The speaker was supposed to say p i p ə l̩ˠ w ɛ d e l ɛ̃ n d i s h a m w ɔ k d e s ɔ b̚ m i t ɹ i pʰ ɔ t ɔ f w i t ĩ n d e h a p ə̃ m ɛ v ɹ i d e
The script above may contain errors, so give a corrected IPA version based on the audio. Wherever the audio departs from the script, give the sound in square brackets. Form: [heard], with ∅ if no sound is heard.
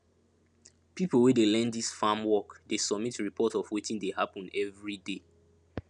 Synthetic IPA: p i p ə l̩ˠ w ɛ d e l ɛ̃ n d i s [f] a m w ɔ k d e s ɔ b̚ m i t ɹ i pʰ ɔ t ɔ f w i t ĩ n d e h a p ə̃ [n] ɛ v ɹ i d e